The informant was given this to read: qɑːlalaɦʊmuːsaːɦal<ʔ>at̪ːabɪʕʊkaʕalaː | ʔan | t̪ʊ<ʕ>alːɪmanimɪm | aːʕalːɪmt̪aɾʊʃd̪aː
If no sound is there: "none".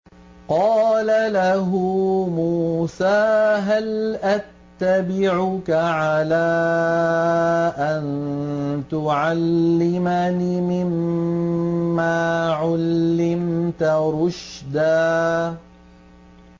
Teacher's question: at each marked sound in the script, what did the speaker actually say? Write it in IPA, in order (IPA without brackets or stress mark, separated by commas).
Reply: ʔ, ʕ